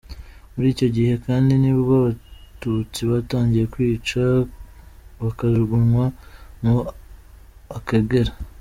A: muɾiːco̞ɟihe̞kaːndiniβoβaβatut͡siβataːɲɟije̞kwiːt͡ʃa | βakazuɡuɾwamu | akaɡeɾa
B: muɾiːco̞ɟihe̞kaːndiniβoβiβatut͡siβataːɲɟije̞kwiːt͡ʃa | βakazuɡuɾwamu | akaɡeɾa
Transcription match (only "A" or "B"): A